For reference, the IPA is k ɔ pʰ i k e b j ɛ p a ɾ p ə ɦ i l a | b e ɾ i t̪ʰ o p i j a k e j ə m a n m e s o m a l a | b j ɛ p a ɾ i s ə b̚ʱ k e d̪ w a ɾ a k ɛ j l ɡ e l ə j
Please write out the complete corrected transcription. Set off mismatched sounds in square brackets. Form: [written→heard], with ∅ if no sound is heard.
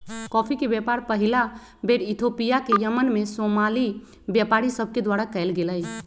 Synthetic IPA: k ɔ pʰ i k e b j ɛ p a ɾ p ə ɦ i l a | b e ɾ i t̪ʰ o p i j a k e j ə m [a→ə] n m e s o m a l [a→i] | b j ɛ p a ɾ i s ə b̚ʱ k e d̪ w a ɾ a k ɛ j l ɡ e l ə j